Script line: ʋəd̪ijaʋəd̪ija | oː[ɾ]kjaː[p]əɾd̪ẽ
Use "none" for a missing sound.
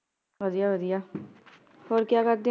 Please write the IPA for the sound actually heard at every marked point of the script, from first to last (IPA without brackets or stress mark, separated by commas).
ɾ, k